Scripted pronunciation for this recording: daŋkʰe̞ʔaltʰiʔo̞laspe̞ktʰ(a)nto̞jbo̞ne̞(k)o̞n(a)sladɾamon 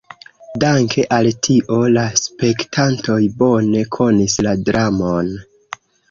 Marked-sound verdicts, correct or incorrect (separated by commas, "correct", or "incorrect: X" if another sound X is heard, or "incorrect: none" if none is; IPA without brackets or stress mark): correct, incorrect: kʰ, incorrect: i